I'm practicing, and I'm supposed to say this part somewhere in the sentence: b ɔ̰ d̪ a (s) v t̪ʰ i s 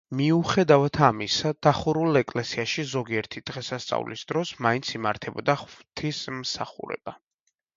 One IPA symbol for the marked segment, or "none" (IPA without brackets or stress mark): χ